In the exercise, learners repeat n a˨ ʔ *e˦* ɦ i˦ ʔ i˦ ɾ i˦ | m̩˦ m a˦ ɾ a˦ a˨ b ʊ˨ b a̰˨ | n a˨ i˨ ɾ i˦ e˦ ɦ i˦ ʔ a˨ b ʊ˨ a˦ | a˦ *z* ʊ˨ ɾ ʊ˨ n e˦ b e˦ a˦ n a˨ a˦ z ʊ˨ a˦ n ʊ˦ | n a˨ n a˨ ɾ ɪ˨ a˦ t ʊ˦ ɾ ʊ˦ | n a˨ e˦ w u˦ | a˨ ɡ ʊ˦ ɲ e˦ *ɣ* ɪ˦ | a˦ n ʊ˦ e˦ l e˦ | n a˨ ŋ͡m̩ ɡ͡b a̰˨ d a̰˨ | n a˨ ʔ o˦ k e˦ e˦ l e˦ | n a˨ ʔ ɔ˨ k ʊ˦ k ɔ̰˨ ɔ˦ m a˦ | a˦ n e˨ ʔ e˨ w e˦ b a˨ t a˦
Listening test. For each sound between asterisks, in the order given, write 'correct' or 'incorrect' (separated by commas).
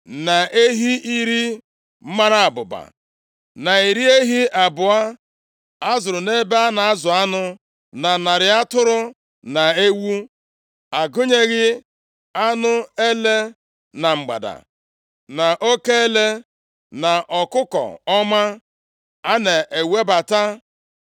correct, correct, correct